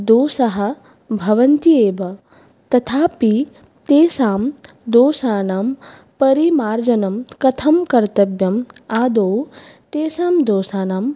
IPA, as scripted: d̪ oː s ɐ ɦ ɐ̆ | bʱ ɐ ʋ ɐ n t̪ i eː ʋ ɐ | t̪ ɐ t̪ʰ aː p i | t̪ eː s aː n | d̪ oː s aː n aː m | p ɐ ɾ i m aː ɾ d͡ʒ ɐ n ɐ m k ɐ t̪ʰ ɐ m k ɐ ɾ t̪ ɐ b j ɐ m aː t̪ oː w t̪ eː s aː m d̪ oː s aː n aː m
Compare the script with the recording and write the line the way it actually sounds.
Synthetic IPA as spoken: d̪ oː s ɐ ɦ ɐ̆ | bʱ ɐ ʋ ɐ n t̪ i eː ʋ ɐ | t̪ ɐ t̪ʰ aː p i | t̪ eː s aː m | d̪ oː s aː n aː m | p ɐ ɾ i m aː ɾ d͡ʒ ɐ n ɐ m k ɐ t̪ʰ ɐ m k ɐ ɾ t̪ ɐ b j ɐ m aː d̪ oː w t̪ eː s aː m d̪ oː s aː n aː m

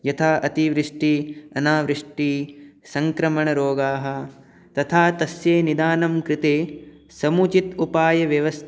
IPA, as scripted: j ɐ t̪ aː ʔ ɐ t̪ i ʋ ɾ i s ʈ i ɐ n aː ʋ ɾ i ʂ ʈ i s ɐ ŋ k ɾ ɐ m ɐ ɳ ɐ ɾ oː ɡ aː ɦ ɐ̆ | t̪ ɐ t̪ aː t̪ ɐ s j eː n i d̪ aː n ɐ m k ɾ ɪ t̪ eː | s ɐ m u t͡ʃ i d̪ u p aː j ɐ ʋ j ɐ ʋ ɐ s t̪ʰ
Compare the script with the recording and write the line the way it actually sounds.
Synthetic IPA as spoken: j ɐ t̪ʰ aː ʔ ɐ t̪ i ʋ ɾ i ʂ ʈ i ɐ n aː ʋ ɾ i ʂ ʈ i s ɐ ŋ k ɾ ɐ m ɐ ɳ ɐ ɾ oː ɡ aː ɦ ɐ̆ | t̪ ɐ t̪ʰ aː t̪ ɐ s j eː n i d̪ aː n ɐ m k ɾ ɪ t̪ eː | s ɐ m u t͡ʃ i t̪ u p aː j ɐ ʋ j ɐ ʋ ɐ s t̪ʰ

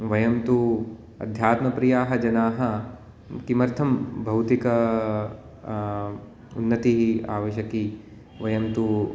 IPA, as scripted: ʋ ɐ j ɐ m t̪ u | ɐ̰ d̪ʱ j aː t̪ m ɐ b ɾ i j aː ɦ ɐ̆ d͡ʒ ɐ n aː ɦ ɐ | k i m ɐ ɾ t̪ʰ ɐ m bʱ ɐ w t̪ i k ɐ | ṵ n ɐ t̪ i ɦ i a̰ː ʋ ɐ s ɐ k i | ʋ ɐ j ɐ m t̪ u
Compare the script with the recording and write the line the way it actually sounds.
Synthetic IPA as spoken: ʋ ɐ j ɐ m t̪ u | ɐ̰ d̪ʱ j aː t̪ m ɐ p ɾ i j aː ɦ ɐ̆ d͡ʒ ɐ n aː ɦ ɐ | k i m ɐ ɾ t̪ʰ ɐ m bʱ ɐ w t̪ i k ɐ | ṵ nː ɐ t̪ i ɦ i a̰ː ʋ ɐ ʃ ɐ k i | ʋ ɐ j ɐ m t̪ u

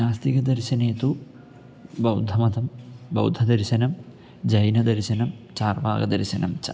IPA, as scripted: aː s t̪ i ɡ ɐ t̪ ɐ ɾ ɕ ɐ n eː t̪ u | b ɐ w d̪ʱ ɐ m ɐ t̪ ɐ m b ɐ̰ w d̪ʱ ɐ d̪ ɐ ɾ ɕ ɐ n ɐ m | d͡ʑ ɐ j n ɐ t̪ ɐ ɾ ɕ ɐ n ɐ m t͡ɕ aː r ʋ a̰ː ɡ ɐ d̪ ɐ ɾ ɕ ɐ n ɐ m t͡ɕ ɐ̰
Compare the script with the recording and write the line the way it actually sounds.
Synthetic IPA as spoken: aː s t̪ i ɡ ɐ d̪ ɐ ɾ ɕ ɐ n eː t̪ u | b ɐ w d̪ʱ ɐ m ɐ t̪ ɐ m b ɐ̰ w d̪ʱ ɐ d̪ ɐ ɾ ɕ ɐ n ɐ m | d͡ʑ ɐ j n ɐ d̪ ɐ ɾ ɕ ɐ n ɐ m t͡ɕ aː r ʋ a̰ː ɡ ɐ d̪ ɐ ɾ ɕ ɐ n ɐ m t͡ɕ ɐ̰

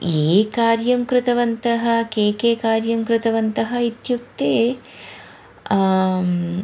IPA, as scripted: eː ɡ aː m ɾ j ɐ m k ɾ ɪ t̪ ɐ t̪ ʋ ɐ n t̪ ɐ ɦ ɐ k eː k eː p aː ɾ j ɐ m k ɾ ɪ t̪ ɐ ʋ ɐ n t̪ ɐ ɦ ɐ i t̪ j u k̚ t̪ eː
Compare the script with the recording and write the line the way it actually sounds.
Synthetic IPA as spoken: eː k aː ɾ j ɐ m k ɾ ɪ t̪ ɐ ʋ ɐ n t̪ ɐ ɦ ɐ k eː k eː k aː ɾ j ɐ m k ɾ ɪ t̪ ɐ ʋ ɐ n t̪ ɐ ɦ ɐ i t̪ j u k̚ t̪ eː

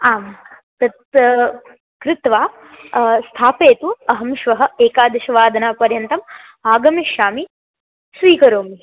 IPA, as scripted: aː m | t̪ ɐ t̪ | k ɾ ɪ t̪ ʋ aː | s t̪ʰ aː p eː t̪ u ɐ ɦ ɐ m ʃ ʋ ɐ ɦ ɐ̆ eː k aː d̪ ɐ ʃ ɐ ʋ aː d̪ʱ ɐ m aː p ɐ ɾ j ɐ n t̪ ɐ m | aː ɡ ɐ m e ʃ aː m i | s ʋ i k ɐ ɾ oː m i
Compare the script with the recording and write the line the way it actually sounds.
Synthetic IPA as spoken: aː m | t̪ ɐ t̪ | k ɾ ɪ t̪ ʋ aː | s t̪ʰ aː p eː t̪ u ɐ ɦ ɐ m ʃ ʋ ɐ ɦ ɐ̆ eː k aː d̪ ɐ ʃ ɐ ʋ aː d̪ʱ ɐ n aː p ɐ ɾ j ɐ n t̪ ɐ m | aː ɡ ɐ m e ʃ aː m i | s ʋ iː k ɐ ɾ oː m i

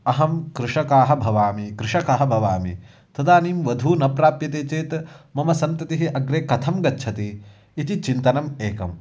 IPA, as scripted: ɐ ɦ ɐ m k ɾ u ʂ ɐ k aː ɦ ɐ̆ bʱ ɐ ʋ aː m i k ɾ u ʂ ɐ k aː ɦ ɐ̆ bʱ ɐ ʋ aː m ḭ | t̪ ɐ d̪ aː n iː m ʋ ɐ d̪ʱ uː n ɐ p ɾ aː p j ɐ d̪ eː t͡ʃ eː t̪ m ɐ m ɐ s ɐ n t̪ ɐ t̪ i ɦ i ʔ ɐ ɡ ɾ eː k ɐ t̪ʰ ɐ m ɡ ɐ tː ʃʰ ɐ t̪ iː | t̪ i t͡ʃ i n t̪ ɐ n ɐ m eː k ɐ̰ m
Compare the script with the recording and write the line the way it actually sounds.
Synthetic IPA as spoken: ɐ ɦ ɐ m k ɾ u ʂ ɐ k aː ɦ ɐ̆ bʱ ɐ ʋ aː m i k ɾ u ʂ ɐ k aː ɦ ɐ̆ bʱ ɐ ʋ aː m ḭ | t̪ ɐ d̪ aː n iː m ʋ ɐ d̪ʱ uː n ɐ p ɾ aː p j ɐ t̪ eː t͡ʃ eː t̪ m ɐ m ɐ s ɐ n t̪ ɐ t̪ i ɦ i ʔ ɐ ɡ ɾ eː k ɐ t̪ʰ ɐ m ɡ ɐ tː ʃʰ ɐ t̪ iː | t̪ i t͡ʃ i n t̪ ɐ n ɐ m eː k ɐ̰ m

